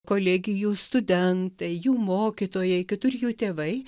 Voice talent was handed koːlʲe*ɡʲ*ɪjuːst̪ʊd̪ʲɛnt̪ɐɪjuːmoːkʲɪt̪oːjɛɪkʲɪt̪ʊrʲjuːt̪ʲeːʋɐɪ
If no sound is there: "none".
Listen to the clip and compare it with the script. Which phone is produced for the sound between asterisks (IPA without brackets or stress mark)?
ɡʲ